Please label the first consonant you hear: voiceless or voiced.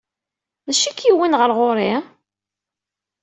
voiced